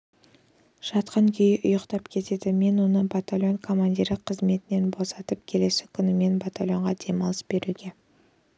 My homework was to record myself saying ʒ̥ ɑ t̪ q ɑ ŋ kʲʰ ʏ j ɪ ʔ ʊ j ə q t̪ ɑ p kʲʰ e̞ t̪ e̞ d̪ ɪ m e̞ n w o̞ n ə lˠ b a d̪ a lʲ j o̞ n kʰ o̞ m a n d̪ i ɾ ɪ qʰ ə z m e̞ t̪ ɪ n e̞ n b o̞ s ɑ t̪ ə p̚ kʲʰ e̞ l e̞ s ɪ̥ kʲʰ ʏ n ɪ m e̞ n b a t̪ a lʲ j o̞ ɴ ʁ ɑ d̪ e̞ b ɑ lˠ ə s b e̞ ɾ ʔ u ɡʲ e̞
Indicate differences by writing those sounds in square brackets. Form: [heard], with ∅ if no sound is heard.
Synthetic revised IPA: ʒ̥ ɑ t̪ q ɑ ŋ kʲʰ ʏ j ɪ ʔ ʊ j ə q t̪ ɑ p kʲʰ e̞ t̪ e̞ d̪ ɪ m e̞ n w o̞ n ə [∅] b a [t̪] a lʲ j o̞ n kʰ o̞ m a n d̪ i ɾ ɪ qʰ ə z m e̞ t̪ ɪ n e̞ n b o̞ s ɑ t̪ ə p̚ kʲʰ e̞ l e̞ s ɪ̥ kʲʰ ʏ n ɪ m e̞ n b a t̪ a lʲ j o̞ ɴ ʁ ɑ d̪ e̞ [m] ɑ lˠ ə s b e̞ ɾ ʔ u ɡʲ e̞